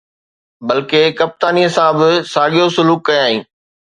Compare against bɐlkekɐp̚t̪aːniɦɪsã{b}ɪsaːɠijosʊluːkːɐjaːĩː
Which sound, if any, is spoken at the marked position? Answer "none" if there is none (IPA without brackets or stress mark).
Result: b